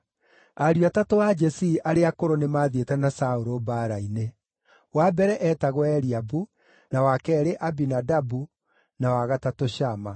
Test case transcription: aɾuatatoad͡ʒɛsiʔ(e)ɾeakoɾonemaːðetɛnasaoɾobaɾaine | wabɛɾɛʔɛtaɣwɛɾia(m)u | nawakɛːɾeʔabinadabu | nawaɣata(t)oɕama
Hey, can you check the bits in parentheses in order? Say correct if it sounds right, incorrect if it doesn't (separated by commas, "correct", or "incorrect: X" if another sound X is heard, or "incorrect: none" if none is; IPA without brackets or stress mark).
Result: incorrect: a, incorrect: b, correct